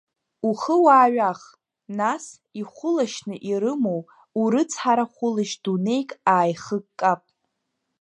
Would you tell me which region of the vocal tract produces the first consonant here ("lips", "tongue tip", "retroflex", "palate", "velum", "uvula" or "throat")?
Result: uvula